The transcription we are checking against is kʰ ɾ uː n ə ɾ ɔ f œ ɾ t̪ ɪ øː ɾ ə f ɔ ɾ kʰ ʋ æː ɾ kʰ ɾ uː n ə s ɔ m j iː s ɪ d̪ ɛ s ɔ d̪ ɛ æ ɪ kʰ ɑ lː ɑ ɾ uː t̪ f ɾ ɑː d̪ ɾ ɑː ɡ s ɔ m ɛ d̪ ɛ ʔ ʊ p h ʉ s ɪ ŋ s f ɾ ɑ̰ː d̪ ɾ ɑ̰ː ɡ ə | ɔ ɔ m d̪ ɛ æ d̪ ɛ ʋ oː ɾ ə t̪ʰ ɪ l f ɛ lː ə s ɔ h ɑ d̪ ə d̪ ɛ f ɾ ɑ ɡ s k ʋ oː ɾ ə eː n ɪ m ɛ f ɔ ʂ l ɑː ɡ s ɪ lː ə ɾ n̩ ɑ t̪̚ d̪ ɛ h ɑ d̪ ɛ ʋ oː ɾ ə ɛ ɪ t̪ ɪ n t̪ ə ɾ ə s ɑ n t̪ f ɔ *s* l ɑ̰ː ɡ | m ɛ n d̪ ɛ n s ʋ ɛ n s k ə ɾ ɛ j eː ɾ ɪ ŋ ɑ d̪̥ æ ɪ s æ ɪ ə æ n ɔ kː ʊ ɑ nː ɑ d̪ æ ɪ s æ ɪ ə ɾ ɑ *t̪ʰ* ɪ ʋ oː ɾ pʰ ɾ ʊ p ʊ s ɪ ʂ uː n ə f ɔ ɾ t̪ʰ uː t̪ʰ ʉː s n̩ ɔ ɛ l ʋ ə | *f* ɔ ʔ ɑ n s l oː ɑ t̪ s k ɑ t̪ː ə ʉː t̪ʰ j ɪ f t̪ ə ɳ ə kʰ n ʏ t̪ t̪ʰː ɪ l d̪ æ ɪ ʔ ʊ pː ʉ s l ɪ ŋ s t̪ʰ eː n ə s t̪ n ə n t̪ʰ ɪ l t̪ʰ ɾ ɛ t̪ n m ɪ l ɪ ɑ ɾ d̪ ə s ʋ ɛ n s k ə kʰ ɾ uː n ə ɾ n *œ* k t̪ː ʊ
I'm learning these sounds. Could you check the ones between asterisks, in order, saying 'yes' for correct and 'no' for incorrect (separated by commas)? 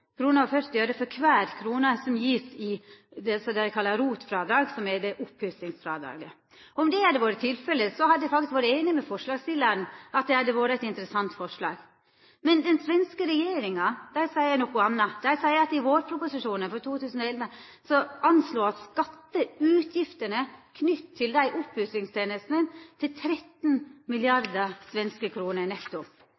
no, no, no, no